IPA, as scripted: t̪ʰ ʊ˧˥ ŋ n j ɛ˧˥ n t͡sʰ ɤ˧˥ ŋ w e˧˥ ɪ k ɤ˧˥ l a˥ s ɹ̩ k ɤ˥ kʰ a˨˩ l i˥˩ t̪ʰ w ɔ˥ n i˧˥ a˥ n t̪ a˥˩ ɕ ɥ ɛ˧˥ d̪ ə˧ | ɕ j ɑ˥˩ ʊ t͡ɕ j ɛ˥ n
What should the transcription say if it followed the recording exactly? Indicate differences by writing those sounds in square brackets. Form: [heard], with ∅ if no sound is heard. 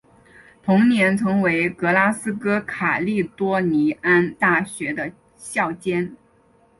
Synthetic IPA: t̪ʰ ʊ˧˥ ŋ n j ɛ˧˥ n t͡sʰ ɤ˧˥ ŋ w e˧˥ ɪ k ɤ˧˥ l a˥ s ɹ̩ k ɤ˥ kʰ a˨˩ l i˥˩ [t̪] w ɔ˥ n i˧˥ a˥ n t̪ a˥˩ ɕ ɥ ɛ˧˥ d̪ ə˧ | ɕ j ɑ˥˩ ʊ t͡ɕ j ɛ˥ n